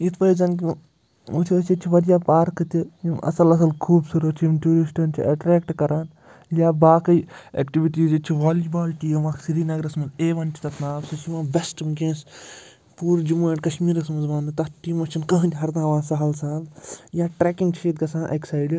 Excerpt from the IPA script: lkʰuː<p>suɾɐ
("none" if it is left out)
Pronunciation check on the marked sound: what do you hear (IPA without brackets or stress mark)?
b